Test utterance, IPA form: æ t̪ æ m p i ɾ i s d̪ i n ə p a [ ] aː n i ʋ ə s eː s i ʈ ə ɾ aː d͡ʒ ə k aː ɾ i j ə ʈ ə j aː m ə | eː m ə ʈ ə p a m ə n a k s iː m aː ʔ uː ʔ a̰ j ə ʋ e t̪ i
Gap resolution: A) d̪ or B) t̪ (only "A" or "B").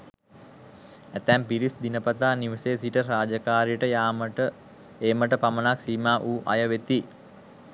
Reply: B